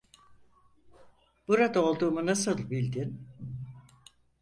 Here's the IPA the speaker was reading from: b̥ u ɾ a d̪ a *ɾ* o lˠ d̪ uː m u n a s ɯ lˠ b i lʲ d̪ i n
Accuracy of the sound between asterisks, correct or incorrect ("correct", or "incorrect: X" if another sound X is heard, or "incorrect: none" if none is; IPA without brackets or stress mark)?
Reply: incorrect: none